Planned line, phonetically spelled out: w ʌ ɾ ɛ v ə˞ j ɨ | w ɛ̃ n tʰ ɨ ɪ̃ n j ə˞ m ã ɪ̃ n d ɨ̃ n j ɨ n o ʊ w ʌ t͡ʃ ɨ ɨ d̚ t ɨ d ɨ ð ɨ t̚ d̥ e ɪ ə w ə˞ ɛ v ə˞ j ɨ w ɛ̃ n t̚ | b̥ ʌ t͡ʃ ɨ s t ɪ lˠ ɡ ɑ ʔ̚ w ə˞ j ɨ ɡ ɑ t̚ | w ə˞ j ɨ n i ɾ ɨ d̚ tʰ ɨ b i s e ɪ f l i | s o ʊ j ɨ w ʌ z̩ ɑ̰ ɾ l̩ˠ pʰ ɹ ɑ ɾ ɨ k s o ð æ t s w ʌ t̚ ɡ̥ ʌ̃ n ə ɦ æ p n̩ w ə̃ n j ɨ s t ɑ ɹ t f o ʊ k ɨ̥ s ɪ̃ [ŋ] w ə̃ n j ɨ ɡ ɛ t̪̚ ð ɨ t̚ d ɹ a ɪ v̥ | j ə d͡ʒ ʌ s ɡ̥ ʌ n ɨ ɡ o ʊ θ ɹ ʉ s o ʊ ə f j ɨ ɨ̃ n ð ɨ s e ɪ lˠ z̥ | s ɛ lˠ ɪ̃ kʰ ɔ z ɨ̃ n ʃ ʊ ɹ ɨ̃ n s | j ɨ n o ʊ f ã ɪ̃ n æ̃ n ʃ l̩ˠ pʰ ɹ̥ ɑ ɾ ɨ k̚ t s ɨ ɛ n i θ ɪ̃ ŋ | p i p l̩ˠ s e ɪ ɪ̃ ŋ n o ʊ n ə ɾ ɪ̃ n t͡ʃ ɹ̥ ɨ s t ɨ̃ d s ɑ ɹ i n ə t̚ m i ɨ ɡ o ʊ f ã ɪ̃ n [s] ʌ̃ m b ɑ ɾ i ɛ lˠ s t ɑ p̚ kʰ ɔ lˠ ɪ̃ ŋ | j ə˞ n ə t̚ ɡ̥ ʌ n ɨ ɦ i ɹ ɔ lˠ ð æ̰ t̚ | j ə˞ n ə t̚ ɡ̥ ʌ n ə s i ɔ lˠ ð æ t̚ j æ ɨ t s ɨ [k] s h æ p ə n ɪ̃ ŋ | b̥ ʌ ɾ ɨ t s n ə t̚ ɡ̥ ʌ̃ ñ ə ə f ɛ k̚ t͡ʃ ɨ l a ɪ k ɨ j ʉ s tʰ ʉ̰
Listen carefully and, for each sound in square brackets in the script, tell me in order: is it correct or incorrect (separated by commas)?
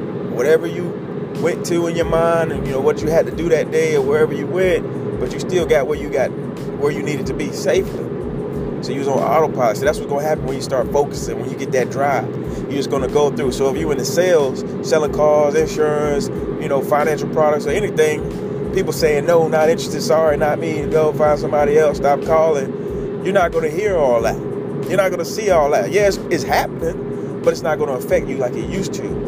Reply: correct, correct, incorrect